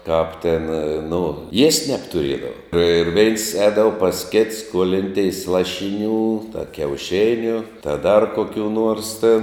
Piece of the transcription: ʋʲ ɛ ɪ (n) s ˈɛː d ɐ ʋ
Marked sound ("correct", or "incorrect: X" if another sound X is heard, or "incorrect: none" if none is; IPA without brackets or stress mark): correct